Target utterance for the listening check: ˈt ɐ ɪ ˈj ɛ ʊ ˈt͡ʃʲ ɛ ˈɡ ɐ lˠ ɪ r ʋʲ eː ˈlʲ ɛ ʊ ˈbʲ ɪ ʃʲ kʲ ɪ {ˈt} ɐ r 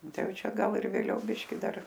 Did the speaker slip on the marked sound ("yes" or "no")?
yes